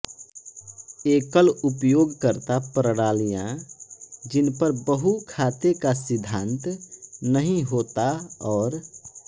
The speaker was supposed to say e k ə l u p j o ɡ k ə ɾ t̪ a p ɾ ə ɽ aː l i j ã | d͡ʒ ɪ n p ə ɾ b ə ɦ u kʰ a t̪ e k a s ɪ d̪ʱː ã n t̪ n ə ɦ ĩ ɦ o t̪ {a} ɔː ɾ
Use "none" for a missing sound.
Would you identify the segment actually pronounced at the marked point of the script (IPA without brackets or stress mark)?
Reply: a